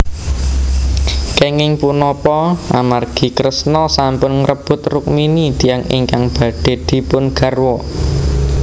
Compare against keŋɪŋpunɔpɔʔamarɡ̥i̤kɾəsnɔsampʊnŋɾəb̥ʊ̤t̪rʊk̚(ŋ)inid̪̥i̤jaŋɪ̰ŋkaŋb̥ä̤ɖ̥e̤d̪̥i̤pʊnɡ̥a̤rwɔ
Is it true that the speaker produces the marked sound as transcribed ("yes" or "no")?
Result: no